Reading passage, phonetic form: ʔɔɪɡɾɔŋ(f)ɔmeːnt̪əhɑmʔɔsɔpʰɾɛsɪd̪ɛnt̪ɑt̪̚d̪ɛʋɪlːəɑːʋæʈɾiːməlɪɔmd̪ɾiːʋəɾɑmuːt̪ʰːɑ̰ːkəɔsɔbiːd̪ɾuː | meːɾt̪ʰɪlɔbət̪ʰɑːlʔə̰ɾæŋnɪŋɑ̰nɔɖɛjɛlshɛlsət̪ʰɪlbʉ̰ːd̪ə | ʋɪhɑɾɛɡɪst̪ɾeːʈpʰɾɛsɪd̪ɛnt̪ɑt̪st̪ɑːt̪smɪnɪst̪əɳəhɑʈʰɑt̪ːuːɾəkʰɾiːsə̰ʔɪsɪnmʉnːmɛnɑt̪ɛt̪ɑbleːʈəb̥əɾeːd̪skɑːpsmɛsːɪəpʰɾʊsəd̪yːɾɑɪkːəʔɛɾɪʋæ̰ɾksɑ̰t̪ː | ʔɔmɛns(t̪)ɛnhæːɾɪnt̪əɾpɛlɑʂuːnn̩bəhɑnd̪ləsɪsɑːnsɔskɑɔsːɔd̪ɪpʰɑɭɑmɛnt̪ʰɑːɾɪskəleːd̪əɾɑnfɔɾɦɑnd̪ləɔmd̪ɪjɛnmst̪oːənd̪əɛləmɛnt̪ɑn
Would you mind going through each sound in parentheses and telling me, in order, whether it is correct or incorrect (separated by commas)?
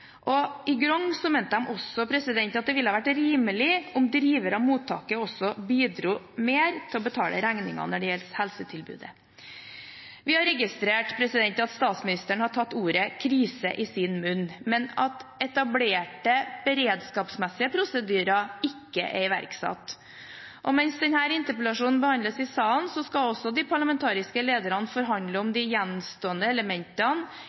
incorrect, incorrect